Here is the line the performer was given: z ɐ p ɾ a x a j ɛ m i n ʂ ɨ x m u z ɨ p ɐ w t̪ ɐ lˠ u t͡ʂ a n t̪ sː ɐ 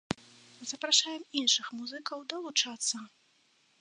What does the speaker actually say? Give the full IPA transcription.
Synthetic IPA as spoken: z ɐ p ɾ a ʂ a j ɛ m i n ʂ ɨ x m u z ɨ k ɐ w d̪ ɐ lˠ u t͡ʂ a t̪ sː ɐ